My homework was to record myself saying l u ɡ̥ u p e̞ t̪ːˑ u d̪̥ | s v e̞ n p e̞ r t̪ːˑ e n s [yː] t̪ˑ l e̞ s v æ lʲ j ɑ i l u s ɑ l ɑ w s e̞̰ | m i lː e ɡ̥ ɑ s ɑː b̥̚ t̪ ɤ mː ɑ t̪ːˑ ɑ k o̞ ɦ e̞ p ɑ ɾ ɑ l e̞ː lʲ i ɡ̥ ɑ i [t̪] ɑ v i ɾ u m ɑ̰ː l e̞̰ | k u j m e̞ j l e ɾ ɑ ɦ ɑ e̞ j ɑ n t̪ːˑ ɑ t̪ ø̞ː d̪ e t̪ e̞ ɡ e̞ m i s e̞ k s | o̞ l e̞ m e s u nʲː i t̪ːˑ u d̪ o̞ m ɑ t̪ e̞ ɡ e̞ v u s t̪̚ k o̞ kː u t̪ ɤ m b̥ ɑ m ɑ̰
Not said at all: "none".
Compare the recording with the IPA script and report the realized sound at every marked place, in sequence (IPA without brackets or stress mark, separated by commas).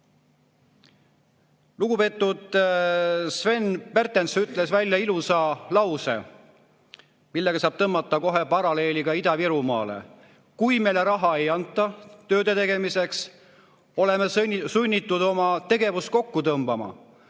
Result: y, d̪